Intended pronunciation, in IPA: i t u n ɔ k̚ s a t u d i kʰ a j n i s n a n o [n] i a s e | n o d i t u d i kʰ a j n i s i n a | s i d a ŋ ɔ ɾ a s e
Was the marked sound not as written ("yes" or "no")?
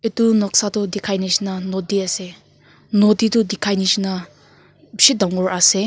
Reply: yes